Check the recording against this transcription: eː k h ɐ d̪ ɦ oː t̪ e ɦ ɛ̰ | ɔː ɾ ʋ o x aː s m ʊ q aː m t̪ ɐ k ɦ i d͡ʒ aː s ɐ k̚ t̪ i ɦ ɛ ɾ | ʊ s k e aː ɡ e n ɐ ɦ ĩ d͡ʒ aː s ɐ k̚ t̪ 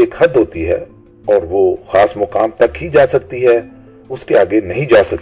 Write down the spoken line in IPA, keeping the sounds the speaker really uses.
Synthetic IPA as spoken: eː k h ɐ d̪ ɦ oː t̪ i ɦ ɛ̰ | ɔː ɾ ʋ o x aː s m ʊ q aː m t̪ ɐ k ɦ i d͡ʒ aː s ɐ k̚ t̪ i ɦ ɛ | ʊ s k e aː ɡ e n ɐ ɦ ĩ d͡ʒ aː s ɐ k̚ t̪